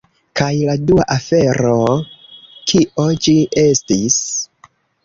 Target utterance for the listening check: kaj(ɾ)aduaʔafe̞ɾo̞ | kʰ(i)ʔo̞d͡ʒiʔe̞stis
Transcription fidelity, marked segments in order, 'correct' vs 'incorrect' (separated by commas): incorrect, correct